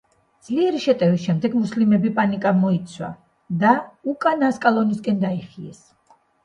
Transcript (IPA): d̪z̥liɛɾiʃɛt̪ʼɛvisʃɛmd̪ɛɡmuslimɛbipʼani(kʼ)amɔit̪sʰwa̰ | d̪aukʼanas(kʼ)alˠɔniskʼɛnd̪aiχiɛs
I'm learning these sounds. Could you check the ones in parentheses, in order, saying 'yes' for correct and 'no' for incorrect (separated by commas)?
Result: yes, yes